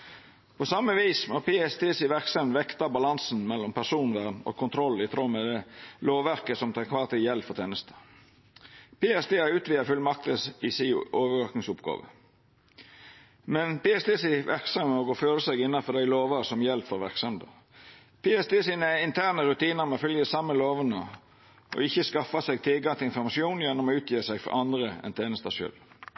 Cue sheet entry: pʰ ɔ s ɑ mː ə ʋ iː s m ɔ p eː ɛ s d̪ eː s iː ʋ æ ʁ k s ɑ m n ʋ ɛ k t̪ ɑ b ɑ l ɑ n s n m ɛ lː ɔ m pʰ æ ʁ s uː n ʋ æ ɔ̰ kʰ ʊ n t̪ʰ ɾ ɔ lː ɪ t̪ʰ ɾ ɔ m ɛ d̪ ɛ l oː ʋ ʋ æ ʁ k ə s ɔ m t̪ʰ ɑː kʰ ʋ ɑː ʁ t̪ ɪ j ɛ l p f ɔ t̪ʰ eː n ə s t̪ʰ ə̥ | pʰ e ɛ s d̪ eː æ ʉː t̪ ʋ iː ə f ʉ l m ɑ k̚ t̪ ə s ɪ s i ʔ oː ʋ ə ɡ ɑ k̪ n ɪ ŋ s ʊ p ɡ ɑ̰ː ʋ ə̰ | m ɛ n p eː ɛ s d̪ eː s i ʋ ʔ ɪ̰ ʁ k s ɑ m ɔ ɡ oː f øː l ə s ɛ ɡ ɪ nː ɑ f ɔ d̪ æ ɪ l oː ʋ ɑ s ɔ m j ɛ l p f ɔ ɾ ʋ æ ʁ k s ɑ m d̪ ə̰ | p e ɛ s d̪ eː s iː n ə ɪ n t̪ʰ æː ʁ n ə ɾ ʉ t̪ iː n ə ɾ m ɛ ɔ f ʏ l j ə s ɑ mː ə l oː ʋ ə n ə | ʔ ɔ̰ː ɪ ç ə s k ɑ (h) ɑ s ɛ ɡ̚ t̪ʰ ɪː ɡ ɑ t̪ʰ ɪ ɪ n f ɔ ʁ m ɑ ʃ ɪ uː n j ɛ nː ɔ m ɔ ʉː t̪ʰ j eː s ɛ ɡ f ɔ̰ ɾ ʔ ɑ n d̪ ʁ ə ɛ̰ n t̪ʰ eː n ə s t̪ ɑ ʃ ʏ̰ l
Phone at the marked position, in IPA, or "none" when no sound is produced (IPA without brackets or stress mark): f